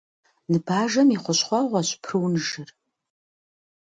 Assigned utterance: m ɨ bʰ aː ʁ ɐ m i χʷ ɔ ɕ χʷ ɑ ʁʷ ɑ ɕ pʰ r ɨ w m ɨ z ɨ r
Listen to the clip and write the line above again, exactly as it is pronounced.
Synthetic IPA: n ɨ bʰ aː ʒ ɐ m i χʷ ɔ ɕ χʷ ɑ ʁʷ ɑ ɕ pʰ r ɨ w n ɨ ʒ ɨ r